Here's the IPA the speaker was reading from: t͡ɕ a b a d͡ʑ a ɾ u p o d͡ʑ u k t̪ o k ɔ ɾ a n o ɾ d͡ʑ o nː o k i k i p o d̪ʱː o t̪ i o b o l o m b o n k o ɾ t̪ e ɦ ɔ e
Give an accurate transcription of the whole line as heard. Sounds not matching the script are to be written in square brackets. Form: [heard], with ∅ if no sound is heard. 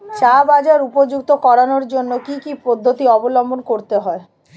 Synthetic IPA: t͡ɕ a b a d͡ʑ a ɾ u p o d͡ʑ u k t̪ o k ɔ ɾ a n o ɾ d͡ʑ o nː o k i k i p o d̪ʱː o t̪ i [ɔ] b o l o m b o n k o ɾ t̪ e ɦ ɔ e